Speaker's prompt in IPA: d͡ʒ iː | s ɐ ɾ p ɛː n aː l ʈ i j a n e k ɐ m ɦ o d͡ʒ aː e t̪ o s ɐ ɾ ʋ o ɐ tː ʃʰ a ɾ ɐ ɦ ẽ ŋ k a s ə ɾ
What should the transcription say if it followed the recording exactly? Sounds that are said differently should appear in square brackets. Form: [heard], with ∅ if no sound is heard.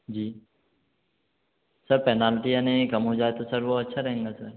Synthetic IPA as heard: d͡ʒ iː | s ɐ ɾ p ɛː n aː l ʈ i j a n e k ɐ m ɦ o d͡ʒ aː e t̪ o s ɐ ɾ ʋ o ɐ tː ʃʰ a ɾ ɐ ɦ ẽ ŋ [ɡ] a s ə ɾ